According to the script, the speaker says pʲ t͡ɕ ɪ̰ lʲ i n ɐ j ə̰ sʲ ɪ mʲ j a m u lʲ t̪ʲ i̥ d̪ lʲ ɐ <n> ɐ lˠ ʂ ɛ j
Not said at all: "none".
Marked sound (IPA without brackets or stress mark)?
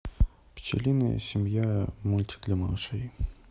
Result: m